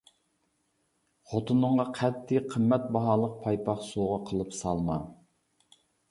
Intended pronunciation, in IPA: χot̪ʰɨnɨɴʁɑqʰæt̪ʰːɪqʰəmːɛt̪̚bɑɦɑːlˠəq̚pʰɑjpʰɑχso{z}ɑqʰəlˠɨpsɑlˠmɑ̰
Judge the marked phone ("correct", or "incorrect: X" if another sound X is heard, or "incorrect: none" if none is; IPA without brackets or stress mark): incorrect: ʁ